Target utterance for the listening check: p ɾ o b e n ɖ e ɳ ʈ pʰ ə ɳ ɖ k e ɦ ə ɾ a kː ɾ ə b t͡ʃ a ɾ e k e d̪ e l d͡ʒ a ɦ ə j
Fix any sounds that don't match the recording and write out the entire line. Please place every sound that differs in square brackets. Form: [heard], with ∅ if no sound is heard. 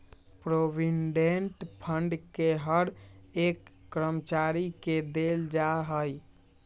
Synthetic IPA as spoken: p ɾ o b [i] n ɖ e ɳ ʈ pʰ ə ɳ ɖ k e ɦ ə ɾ [e] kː ɾ ə [m] t͡ʃ a ɾ [i] k e d̪ e l d͡ʒ a ɦ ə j